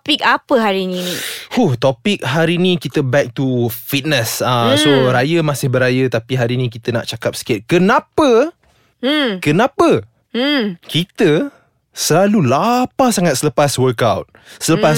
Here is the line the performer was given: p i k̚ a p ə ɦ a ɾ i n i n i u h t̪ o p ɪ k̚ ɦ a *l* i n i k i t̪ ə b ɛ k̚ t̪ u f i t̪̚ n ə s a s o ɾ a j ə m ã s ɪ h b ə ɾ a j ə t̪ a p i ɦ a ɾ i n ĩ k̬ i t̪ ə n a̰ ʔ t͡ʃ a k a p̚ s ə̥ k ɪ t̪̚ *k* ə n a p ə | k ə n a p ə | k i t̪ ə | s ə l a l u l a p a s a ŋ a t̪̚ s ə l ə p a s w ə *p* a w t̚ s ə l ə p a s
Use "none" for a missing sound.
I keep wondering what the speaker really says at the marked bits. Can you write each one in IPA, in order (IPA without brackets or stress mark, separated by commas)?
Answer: ɾ, k, k